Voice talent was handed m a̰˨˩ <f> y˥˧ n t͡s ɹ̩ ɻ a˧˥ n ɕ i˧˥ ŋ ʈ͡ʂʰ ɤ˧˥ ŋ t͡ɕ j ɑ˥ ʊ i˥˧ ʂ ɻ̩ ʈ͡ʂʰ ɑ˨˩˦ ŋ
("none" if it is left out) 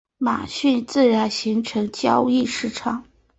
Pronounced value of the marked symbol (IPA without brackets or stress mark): ɕ